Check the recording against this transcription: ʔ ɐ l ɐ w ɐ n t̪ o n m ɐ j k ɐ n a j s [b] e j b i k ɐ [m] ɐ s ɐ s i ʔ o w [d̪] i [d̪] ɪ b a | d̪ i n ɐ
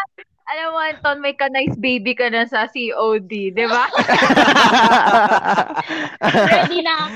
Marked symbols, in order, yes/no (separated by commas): yes, no, yes, yes